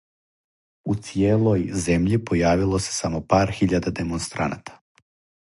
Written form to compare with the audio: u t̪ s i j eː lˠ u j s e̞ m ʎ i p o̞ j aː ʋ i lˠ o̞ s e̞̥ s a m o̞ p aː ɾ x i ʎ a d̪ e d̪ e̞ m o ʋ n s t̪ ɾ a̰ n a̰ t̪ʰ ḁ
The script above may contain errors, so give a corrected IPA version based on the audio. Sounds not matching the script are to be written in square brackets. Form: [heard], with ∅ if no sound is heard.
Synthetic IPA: u t̪ s i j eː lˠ [o] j [z] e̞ m ʎ i p o̞ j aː ʋ i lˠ o̞ s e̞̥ s a m o̞ p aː ɾ x i ʎ a d̪ [a] d̪ e̞ m o [∅] n s t̪ ɾ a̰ n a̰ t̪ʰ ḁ

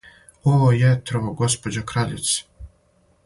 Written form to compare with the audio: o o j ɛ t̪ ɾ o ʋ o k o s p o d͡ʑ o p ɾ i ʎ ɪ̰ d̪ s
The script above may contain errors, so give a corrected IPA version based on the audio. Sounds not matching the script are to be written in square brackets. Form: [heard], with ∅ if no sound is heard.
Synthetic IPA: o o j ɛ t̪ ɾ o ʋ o [ɡ] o s p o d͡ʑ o [k] ɾ [a] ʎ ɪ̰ [t̪] s

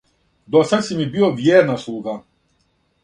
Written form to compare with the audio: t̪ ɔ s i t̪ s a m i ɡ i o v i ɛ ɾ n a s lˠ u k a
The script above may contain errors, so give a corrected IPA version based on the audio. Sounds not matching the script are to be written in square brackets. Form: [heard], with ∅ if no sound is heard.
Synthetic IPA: [d̪] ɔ s [a] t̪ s [i] m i [b] i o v [j] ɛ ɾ n a s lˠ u [ɡ] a

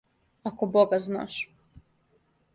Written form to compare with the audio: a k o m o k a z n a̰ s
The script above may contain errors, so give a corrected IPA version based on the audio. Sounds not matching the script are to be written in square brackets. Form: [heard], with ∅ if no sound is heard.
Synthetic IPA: a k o [b] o [ɡ] a z n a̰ [ʃ]

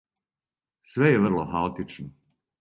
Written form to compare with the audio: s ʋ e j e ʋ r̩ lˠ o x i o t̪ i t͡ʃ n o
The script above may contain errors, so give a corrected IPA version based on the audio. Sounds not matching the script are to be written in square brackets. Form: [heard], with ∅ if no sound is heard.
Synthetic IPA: s ʋ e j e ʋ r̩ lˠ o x [a] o t̪ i t͡ʃ n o

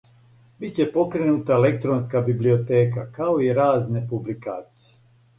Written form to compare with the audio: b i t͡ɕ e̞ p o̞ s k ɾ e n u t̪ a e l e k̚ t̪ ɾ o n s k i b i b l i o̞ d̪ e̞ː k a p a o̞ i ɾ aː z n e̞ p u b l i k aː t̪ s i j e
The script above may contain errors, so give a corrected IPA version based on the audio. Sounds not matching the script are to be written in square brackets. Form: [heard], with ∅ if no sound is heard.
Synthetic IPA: b i t͡ɕ e̞ p o̞ [∅] k ɾ e n u t̪ a e l e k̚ t̪ ɾ o n s k [a] b i b l i o̞ [t̪] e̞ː k a [k] a o̞ i ɾ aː z n e̞ p u b l i k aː t̪ s i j e

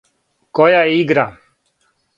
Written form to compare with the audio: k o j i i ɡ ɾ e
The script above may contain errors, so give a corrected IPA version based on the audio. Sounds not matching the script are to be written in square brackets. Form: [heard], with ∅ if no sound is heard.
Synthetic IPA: k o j [a] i ɡ ɾ [a]

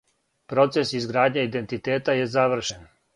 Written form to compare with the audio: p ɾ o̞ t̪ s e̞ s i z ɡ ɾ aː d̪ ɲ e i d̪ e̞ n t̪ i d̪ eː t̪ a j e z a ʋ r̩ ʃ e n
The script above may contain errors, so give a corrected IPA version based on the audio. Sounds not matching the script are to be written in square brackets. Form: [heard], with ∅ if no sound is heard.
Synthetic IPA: p ɾ o̞ t̪ s e̞ s i z ɡ ɾ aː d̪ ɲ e i d̪ e̞ n t̪ i [t̪] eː t̪ a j e z a ʋ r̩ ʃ e n

